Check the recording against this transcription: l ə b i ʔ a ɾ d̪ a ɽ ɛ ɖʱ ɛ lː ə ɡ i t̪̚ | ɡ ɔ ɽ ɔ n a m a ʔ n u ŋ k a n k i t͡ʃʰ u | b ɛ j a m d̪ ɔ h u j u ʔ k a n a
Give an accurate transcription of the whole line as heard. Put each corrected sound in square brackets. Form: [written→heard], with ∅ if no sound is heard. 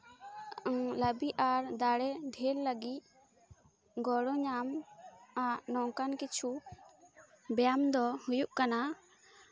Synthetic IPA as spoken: l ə b i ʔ a ɾ d̪ a ɽ ɛ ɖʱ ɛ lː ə ɡ i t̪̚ | ɡ ɔ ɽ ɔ [n→ɲ] a m a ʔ n [u→ɔ] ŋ k a n k i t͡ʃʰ u | b ɛ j a m d̪ ɔ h u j u ʔ k a n a